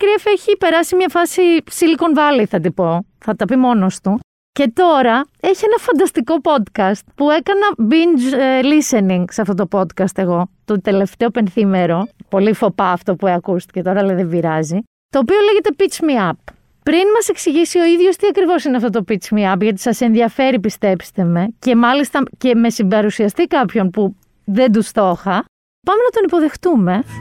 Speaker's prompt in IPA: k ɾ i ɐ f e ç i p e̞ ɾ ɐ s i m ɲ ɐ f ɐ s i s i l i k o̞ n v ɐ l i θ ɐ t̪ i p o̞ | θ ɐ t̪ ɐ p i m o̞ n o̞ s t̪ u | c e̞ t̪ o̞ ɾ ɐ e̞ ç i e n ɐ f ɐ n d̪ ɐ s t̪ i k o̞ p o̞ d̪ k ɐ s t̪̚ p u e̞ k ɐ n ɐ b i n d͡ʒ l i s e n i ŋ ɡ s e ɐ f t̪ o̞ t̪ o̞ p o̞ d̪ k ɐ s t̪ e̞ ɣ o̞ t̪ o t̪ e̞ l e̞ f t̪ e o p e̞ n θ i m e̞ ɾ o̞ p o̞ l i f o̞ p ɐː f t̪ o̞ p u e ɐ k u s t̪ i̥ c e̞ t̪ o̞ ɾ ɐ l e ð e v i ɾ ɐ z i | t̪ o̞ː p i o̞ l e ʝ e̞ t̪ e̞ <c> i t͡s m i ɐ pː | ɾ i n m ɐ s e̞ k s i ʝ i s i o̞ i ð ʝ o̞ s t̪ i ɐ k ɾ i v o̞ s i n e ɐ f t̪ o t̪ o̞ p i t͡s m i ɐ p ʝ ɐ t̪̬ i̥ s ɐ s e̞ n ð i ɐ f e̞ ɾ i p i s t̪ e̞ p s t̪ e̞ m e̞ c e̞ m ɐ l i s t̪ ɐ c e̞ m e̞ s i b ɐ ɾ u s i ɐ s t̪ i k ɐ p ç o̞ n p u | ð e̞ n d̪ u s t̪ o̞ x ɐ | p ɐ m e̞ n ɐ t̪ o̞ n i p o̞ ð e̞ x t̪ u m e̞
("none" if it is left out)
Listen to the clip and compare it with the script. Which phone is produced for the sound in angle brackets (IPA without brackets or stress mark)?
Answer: p